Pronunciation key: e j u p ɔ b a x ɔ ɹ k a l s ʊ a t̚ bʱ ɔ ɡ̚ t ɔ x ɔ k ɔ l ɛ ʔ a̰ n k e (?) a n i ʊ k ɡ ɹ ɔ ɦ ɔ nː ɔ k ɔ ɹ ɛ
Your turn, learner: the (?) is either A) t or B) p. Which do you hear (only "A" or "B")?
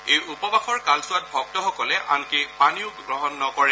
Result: B